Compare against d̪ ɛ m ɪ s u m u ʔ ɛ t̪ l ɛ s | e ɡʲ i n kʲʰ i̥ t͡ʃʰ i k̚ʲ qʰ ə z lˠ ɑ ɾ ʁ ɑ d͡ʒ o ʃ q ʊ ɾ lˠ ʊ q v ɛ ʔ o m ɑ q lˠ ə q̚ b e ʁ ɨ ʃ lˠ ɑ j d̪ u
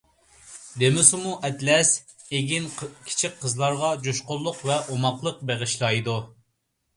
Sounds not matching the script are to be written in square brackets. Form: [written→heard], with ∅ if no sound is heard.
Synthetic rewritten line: d̪ [ɛ→e] m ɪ s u m u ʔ ɛ t̪ l ɛ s | e ɡʲ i n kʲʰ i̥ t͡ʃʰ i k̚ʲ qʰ ə z lˠ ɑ ɾ ʁ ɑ d͡ʒ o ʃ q ʊ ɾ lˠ ʊ q v ɛ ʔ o m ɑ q lˠ ə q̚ b e ʁ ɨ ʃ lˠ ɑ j d̪ u